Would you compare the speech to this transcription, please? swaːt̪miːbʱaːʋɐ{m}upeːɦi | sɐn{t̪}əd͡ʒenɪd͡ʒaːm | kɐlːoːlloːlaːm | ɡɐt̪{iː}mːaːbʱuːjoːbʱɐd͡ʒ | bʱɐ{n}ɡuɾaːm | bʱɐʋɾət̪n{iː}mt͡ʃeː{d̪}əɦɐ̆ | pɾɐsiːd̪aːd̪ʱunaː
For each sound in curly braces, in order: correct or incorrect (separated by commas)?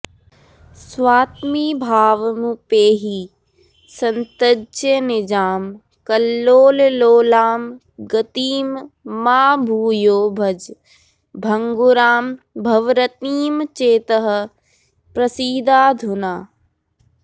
correct, correct, correct, incorrect, correct, incorrect